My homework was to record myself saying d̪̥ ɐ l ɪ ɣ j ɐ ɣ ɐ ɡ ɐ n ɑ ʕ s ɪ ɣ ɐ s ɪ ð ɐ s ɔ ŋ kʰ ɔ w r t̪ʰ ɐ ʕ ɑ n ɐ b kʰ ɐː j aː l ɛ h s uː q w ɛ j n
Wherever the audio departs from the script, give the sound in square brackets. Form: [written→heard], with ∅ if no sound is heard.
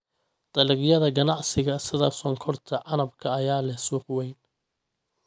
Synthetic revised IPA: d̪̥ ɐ l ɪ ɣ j ɐ [ɣ→ð] ɐ ɡ ɐ n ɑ ʕ s ɪ ɣ ɐ s ɪ ð ɐ s ɔ ŋ kʰ ɔ [w→∅] r t̪ʰ ɐ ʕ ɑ n ɐ b kʰ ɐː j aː l ɛ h s uː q w ɛ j n